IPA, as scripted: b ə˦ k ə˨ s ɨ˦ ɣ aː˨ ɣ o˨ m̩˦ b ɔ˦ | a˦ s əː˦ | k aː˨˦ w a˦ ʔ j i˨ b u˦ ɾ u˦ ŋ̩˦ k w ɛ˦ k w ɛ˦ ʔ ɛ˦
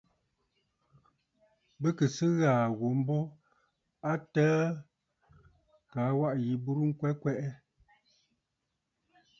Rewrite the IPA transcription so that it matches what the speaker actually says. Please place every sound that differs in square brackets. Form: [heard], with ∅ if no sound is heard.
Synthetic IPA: b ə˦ k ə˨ s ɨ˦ ɣ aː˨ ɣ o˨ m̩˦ b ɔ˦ | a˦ [t] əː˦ | k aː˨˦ w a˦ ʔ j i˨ b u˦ ɾ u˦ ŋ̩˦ k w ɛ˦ k w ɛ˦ ʔ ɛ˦